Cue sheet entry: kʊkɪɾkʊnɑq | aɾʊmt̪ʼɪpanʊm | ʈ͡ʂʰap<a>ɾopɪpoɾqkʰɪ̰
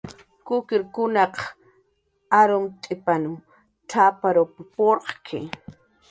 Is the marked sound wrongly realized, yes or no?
no